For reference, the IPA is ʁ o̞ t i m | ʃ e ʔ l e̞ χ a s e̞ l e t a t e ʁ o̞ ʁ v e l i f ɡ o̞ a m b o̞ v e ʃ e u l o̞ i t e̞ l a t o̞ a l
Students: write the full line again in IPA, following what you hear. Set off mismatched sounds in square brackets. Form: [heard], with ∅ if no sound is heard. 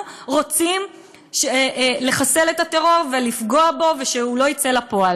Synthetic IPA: ʁ o̞ [t͡s] i m | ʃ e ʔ l e̞ χ a s e̞ l e t a t e ʁ o̞ ʁ v e l i f ɡ o̞ a [∅] b o̞ v e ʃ e u l o̞ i [t͡s] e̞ l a [p] o̞ a l